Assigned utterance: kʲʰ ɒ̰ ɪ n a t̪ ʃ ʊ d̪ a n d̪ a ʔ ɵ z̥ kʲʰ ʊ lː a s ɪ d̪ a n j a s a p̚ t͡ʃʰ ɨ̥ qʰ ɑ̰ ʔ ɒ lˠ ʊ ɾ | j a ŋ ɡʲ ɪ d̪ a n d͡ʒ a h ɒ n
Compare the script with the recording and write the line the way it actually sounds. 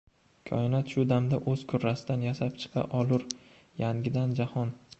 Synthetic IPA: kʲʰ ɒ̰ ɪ n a t̪ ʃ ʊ d̪ a m d̪ a ʔ ɵ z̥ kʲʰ ʊ ɾː a s ɪ d̪ a n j a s a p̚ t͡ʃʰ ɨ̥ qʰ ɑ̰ ʔ ɒ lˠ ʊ ɾ | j a ŋ ɡʲ ɪ d̪ a n d͡ʒ a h ɒ n

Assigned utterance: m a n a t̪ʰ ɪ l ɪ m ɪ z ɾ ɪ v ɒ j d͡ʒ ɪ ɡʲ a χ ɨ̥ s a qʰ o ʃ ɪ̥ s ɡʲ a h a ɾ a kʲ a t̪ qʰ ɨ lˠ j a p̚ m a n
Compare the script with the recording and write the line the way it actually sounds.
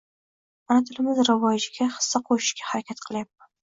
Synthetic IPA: m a n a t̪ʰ ɪ l ɪ m ɪ z ɾ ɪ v ɒ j d͡ʒ ɪ ɡʲ a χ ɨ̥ sː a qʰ o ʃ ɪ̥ ʃ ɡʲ a h a ɾ a kʲ a t̪ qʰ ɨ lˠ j a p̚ m a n

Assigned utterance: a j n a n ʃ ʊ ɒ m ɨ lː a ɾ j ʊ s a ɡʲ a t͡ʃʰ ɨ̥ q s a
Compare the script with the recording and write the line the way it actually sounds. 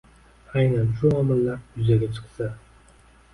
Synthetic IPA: a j n a n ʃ ʊ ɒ m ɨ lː a ɾ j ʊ z a ɡʲ a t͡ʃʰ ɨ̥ q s a

